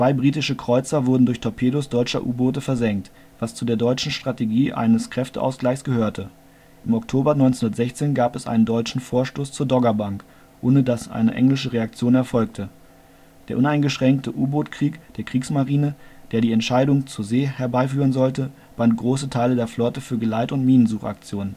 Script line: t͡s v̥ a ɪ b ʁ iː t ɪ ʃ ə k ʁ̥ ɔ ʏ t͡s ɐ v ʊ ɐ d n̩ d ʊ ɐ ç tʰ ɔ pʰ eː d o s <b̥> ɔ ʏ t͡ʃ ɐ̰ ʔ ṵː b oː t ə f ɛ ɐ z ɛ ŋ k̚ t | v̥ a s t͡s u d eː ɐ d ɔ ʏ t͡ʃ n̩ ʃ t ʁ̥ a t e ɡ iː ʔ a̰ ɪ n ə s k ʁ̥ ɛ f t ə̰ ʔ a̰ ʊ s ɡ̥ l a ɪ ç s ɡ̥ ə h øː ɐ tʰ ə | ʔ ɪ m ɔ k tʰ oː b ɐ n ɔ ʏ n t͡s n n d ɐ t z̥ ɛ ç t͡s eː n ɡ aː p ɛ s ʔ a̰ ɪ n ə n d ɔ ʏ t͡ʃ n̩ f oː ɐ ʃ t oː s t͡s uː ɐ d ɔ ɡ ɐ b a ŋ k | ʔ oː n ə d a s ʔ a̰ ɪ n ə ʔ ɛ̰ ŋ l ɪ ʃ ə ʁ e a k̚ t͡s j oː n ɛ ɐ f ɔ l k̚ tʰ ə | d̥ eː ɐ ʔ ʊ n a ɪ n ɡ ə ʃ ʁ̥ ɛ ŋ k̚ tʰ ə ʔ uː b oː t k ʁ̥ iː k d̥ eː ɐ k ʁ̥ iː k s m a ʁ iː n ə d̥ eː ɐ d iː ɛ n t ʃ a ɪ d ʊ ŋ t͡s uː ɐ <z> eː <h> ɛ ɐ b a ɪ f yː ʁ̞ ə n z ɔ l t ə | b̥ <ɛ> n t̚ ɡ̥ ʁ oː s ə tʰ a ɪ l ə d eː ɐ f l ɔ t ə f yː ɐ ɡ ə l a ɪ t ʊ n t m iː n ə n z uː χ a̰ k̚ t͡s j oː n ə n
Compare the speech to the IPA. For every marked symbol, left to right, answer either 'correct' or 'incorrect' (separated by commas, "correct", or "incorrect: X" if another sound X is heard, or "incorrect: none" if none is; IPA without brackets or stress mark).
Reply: incorrect: d̥, correct, correct, incorrect: a